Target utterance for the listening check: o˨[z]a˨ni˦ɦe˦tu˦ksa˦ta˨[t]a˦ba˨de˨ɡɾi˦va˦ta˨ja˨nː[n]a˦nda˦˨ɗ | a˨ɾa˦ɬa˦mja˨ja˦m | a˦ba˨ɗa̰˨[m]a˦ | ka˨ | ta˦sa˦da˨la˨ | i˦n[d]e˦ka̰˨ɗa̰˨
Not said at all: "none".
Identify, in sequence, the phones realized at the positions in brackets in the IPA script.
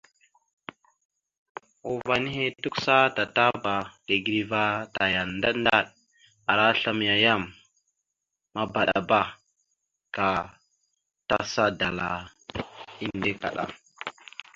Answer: v, t, d, b, d

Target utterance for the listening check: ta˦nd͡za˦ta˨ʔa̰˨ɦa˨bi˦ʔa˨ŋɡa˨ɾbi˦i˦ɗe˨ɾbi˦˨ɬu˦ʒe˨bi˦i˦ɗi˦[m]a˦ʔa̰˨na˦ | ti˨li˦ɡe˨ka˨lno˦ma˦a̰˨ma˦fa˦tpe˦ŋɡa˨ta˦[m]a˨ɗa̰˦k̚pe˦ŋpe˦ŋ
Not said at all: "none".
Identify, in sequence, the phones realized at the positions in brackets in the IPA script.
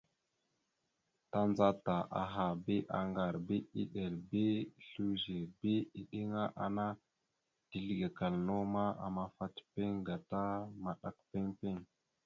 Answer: ŋ, m

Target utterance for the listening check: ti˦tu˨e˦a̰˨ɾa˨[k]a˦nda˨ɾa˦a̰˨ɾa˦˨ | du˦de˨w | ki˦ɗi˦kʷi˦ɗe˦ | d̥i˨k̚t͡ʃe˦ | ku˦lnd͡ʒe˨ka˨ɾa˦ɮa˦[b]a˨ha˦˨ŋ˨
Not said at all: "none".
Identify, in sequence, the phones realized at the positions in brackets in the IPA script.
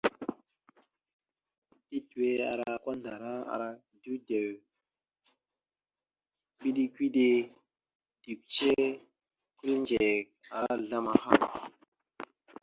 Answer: k, m

